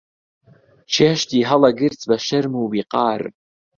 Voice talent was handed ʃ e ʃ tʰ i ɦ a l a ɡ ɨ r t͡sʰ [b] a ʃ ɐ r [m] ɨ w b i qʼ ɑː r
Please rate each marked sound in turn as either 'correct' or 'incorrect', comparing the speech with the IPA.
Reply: correct, correct

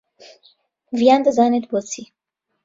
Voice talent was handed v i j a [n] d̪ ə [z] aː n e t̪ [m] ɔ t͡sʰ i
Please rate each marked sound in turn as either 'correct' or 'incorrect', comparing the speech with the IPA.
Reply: correct, correct, incorrect: b

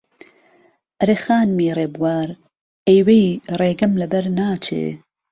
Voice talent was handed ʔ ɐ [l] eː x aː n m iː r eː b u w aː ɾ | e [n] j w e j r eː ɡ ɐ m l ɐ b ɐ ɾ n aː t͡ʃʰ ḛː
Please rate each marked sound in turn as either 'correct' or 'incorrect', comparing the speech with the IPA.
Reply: incorrect: ɾ, incorrect: none

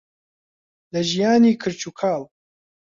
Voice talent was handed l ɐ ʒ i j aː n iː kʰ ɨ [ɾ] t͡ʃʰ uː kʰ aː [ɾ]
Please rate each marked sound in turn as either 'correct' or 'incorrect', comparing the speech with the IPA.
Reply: correct, incorrect: l

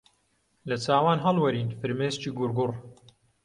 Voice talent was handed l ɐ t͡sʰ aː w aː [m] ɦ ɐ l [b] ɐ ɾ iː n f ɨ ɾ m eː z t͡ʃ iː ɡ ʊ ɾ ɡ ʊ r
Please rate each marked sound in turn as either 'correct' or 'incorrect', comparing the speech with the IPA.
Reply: incorrect: n, incorrect: w

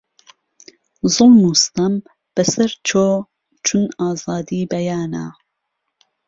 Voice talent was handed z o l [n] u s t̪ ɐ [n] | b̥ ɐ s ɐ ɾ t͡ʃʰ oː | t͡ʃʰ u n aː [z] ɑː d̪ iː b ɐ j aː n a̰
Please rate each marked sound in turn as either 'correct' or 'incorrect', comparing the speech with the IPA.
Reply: correct, incorrect: m, correct

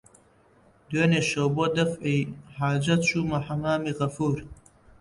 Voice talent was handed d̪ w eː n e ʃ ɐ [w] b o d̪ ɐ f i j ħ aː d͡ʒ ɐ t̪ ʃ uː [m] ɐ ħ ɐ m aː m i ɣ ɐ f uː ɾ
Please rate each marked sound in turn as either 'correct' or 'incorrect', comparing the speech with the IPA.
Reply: correct, correct

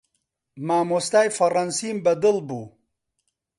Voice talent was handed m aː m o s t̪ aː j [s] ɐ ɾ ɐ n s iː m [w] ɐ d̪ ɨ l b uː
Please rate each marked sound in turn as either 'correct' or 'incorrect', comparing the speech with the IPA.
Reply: incorrect: f, incorrect: b

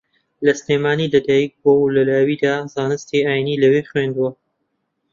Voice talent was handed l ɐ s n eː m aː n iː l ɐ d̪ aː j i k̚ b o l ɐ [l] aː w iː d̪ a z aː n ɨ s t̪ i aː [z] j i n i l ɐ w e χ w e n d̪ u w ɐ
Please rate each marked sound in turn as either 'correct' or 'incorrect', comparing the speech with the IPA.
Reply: correct, incorrect: none

